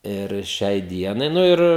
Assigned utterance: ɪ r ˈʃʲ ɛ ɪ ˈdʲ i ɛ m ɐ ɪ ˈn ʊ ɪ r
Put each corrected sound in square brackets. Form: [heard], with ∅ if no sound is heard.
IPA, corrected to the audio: ɪ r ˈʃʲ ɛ ɪ ˈdʲ i ɛ [n] ɐ ɪ ˈn ʊ ɪ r